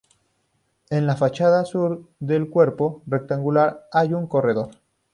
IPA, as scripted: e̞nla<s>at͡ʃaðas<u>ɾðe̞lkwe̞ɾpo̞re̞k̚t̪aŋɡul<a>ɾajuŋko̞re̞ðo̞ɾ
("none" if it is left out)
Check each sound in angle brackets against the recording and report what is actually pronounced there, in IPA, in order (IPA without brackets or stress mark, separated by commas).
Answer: f, u, a